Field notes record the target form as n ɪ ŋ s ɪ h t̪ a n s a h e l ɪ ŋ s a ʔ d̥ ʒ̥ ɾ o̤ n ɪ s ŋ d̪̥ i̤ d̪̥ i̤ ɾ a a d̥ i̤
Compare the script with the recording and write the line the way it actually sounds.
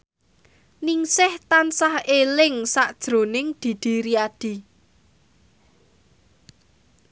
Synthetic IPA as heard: n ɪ ŋ s ɪ h t̪ a n s a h e l ɪ ŋ s a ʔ d̥ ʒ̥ ɾ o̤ n ɪ ŋ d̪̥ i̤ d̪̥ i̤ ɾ i a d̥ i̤

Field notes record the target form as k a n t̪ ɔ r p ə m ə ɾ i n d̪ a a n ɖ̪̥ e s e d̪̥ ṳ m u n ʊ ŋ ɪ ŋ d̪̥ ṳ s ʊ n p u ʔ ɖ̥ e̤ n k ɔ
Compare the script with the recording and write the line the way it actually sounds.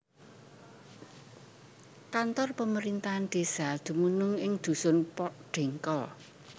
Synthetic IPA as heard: k a n t̪ ɔ r p ə m ə ɾ i n t̪ a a n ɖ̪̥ e s a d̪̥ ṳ m u n ʊ ŋ ɪ ŋ d̪̥ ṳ s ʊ n p ɔ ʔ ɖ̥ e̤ ŋ k ɔ

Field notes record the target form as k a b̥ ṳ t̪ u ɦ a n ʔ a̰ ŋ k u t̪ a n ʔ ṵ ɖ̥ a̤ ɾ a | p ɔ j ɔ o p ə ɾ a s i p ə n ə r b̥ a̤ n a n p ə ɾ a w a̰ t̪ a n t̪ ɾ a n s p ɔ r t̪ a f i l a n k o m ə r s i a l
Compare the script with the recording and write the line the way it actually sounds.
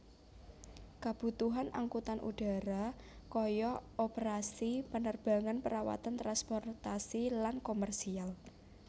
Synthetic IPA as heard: k a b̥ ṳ t̪ u ɦ a n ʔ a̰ ŋ k u t̪ a n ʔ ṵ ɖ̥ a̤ ɾ a | k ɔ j ɔ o p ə ɾ a s i p ə n ə r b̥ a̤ ŋ a n p ə ɾ a w a̰ t̪ a n t̪ ɾ a n s p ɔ r t̪ a s i l a n k o m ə r s i a l

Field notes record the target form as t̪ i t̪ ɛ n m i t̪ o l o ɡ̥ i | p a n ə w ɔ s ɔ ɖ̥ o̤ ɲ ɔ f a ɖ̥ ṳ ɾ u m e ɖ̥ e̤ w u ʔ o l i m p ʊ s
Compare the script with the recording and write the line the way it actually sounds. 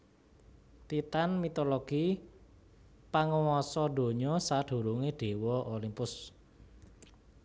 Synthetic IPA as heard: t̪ i t̪ a n m i t̪ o l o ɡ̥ i | p a ŋ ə w ɔ s ɔ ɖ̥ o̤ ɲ ɔ s a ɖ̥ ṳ ɾ u ŋ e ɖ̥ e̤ w ɔ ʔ o l i m p ʊ s

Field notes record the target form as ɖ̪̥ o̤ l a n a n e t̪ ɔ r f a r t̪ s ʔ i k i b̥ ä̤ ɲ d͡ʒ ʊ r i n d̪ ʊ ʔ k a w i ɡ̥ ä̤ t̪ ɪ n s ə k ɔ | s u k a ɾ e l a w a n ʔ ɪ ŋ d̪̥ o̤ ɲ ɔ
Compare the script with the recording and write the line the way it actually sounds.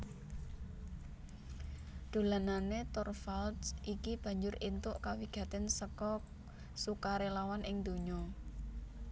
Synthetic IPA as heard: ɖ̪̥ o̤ l a n a n e t̪ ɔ r f a l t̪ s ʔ i k i b̥ ä̤ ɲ d͡ʒ ʊ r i n t̪ ʊ ʔ k a w i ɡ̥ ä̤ t̪ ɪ n s ə k ɔ | s u k a ɾ e l a w a n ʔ ɪ ŋ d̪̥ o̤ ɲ ɔ

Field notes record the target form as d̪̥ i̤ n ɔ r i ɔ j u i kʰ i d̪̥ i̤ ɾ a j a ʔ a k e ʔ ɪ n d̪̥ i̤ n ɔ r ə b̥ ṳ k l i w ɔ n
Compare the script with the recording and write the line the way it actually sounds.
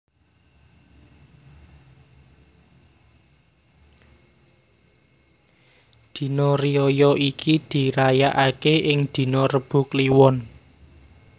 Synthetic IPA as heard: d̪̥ i̤ n ɔ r i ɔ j ɔ i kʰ i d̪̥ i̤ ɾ a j a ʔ a k e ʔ ɪ ŋ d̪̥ i̤ n ɔ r ə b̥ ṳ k l i w ɔ n

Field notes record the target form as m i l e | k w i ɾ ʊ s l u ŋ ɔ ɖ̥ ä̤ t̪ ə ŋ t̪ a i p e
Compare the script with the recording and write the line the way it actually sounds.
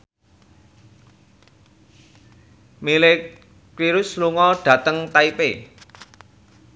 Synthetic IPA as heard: m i l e | k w i ɾ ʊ s l u ŋ ɔ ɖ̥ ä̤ t̪ ə ŋ t̪ a i p e

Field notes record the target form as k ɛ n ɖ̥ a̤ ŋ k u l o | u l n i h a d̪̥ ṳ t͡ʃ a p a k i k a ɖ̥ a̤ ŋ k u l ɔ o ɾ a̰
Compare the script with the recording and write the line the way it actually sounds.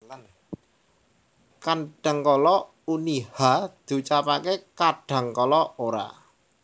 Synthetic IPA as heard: k a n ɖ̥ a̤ ŋ k ɔ l ɔ | u n i h a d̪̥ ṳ t͡ʃ a p a k e k a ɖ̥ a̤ ŋ k ɔ l ɔ o ɾ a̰

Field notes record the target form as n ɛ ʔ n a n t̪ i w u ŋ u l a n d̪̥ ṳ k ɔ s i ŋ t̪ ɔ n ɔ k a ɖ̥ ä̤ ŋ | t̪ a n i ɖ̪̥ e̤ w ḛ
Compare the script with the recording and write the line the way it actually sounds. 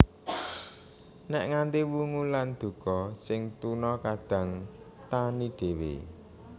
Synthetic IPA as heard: n ɛ ʔ ŋ a n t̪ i w u ŋ u l a n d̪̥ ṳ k ɔ s ɪ ŋ t̪ u n ɔ k a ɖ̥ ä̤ ŋ | t̪ a n i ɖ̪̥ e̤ w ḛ

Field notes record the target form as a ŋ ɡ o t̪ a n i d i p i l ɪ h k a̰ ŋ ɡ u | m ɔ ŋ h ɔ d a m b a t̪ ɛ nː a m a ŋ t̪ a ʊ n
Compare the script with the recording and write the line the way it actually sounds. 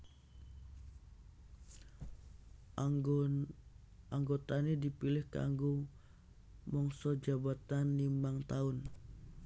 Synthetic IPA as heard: a ŋ ɡ o t̪ a n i d i p i l ɪ h k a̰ ŋ ɡ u | m ɔ ŋ s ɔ d͡ʒ a b a t̪ a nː i m a ŋ t̪ a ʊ n

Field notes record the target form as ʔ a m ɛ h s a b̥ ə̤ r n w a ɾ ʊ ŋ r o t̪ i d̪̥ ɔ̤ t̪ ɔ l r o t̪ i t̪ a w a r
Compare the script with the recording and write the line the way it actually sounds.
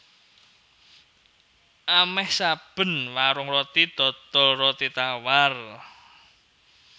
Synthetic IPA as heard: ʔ a m ɛ h s a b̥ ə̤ n w a ɾ ʊ ŋ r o t̪ i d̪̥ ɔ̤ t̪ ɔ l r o t̪ i t̪ a w a r

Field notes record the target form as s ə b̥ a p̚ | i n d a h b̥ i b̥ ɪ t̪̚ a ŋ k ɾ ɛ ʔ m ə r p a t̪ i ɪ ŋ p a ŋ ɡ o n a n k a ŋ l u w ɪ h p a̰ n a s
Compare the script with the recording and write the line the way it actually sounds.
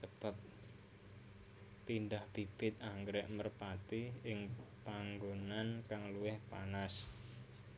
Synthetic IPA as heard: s ə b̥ a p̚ | i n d a h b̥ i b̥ ɪ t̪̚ a ŋ ɡ ɾ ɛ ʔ m ə r p a t̪ i ɪ ŋ p a ŋ ɡ o n a n k a ŋ l u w ɪ h p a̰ n a s

